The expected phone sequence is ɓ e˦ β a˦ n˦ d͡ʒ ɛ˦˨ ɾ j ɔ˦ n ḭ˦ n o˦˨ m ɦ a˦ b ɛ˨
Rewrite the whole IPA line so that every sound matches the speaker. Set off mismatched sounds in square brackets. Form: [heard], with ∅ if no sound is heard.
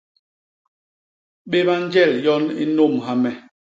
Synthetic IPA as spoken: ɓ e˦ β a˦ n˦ d͡ʒ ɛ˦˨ [l] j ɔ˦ n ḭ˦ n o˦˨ m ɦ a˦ [m] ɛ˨